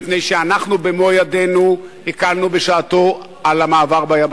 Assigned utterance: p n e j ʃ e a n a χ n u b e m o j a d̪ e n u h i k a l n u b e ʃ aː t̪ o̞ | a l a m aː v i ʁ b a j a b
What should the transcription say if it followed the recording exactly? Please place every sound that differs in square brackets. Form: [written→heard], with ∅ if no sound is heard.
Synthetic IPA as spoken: p n e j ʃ e a n a χ n u b e m o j a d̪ e n u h i k a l n u b e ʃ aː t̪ o̞ | a l a m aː v [i→a] ʁ b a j a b

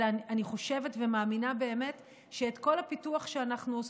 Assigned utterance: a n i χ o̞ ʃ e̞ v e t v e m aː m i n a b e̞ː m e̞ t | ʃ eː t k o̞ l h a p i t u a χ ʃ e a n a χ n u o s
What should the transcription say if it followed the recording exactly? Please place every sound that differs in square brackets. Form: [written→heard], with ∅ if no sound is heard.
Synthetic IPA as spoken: a n i χ o̞ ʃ e̞ v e t v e m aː m i n a b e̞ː m e̞ t | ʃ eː t k o̞ l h a p i t u a χ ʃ e a n a χ n u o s

